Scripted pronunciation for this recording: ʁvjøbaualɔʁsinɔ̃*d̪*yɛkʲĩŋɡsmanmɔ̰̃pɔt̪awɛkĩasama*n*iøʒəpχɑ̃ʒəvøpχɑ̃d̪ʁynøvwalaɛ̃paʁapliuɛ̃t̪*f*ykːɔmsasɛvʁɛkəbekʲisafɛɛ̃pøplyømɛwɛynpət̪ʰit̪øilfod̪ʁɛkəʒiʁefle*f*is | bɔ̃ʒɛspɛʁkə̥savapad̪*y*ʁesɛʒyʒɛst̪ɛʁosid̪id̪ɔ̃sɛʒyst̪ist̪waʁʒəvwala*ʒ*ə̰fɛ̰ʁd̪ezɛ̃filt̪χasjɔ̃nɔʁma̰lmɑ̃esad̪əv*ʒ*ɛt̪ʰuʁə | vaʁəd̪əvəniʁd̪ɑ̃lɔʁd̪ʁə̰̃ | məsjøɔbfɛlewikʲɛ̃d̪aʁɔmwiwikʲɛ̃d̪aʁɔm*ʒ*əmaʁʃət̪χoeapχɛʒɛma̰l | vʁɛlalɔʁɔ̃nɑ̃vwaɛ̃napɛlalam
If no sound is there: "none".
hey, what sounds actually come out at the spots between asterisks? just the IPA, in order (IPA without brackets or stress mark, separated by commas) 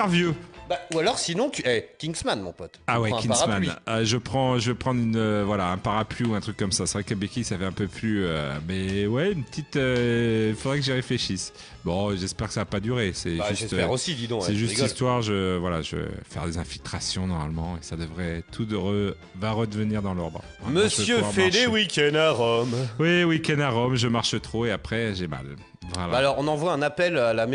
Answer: t̪, n, χ, ʃ, y, ʒ, ʁ, ʒ